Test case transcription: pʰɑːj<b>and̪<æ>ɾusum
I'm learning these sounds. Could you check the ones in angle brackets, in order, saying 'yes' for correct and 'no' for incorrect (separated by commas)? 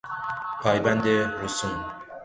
yes, no